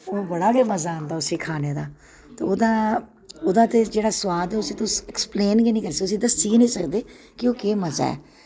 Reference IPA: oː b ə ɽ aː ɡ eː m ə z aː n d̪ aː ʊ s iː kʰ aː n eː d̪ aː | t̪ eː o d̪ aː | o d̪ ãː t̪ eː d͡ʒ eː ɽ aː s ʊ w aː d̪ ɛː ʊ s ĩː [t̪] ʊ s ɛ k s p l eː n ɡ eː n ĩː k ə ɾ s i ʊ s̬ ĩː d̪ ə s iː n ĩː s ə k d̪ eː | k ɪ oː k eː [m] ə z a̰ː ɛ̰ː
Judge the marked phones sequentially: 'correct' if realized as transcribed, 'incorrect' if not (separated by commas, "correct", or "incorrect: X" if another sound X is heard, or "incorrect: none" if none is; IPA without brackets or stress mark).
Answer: correct, correct